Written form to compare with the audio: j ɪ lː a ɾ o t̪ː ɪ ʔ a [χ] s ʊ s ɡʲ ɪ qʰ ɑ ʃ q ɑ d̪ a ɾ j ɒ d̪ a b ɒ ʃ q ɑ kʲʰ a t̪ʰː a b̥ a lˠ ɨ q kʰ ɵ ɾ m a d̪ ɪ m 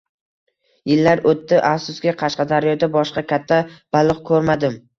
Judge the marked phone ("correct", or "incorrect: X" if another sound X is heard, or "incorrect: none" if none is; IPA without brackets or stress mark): incorrect: f